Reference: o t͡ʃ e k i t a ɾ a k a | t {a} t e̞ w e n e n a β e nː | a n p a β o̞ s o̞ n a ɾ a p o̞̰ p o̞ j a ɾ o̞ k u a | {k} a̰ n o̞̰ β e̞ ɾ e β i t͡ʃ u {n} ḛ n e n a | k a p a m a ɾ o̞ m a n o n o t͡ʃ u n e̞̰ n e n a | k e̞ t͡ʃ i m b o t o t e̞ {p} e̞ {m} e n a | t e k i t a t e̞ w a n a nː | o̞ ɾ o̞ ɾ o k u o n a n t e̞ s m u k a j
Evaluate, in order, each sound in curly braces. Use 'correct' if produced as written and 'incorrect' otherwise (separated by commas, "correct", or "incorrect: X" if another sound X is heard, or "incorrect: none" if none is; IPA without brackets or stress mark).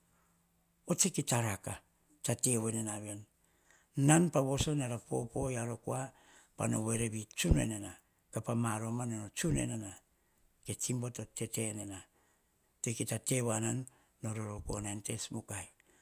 correct, incorrect: p, correct, incorrect: t, incorrect: n